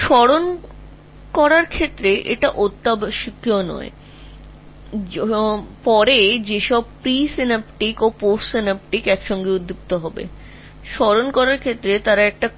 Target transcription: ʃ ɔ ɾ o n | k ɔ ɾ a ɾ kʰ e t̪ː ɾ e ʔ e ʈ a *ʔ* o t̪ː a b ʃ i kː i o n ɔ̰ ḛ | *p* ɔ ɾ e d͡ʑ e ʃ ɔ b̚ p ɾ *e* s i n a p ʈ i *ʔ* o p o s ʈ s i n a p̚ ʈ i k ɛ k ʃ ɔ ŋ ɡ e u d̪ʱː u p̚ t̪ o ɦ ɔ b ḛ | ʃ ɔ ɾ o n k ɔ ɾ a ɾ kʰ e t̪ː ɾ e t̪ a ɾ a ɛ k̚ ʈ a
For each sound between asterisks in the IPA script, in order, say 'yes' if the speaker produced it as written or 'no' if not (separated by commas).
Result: yes, yes, no, no